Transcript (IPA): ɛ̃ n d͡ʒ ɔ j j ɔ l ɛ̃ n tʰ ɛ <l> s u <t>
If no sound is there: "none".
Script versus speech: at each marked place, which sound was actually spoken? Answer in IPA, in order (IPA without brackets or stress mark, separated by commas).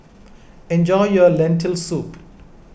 l, p